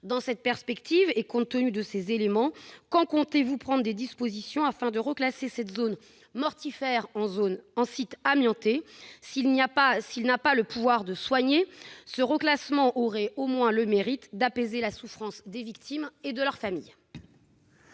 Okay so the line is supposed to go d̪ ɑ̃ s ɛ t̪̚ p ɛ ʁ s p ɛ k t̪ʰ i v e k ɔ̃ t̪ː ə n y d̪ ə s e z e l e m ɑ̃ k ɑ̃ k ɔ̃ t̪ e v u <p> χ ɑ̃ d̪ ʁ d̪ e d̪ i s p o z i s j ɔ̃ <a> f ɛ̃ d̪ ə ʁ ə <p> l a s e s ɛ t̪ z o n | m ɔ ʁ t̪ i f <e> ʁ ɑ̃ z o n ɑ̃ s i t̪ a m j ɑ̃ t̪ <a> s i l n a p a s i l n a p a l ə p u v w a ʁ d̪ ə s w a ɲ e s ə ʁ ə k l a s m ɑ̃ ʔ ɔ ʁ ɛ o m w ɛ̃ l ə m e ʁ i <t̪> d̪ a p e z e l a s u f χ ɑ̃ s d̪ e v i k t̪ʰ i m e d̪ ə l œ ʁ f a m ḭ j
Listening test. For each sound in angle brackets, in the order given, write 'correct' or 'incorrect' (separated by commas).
correct, correct, incorrect, incorrect, incorrect, correct